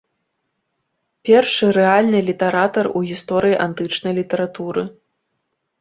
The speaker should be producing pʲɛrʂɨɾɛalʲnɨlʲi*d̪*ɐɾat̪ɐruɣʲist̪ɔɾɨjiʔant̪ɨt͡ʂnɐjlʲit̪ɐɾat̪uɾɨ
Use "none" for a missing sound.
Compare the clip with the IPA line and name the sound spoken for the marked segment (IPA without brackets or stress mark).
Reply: t̪